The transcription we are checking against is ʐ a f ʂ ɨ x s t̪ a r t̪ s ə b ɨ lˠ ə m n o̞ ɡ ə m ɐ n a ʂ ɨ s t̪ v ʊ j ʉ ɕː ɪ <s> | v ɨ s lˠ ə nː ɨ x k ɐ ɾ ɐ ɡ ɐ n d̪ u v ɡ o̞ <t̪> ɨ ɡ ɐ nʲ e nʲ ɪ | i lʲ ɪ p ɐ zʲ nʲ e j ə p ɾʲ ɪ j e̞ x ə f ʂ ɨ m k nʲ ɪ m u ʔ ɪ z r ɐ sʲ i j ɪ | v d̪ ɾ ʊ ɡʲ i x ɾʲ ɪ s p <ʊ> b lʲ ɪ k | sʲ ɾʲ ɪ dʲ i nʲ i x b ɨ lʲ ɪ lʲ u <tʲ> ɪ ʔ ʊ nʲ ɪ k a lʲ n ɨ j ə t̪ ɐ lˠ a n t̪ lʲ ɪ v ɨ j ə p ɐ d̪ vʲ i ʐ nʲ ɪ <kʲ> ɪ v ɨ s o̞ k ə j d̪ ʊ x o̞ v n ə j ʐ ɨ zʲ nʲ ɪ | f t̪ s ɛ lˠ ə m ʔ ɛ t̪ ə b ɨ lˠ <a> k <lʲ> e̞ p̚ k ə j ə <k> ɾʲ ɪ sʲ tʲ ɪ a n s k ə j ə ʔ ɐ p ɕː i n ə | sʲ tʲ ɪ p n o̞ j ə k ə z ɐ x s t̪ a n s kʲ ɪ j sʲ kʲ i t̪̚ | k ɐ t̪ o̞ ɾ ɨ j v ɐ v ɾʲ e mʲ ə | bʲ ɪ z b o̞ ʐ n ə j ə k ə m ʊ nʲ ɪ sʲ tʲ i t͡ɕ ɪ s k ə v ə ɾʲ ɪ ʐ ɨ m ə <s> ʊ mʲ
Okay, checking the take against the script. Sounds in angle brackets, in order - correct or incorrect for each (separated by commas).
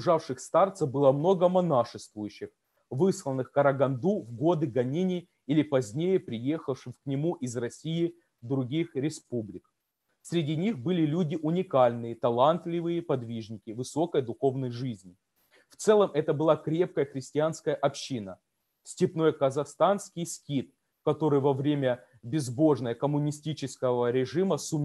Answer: incorrect, incorrect, incorrect, incorrect, correct, correct, incorrect, incorrect, correct